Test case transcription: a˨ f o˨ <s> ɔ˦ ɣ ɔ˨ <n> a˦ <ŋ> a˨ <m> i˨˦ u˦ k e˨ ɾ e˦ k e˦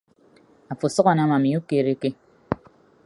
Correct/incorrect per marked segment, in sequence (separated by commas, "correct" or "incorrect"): correct, correct, incorrect, correct